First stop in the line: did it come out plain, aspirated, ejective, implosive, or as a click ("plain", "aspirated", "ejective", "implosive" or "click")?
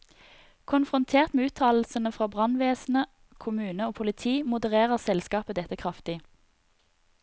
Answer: aspirated